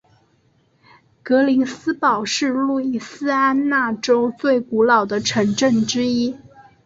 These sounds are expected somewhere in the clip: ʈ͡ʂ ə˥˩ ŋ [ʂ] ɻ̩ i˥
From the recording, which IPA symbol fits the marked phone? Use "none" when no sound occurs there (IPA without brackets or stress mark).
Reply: ʈ͡ʂ